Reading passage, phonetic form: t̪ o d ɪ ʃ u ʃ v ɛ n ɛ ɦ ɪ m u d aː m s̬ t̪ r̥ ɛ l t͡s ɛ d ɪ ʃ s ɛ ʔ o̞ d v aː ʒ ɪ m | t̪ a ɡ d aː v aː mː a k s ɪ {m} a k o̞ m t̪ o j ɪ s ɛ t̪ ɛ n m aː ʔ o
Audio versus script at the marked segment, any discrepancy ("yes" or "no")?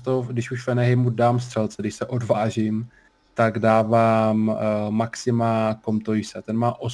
no